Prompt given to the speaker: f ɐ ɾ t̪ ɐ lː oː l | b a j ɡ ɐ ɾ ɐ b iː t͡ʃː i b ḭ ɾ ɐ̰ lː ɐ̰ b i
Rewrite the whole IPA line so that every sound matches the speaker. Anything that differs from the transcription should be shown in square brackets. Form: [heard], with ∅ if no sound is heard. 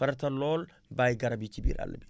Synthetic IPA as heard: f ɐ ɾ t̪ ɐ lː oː l | b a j ɡ ɐ ɾ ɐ b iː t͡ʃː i b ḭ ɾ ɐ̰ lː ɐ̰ b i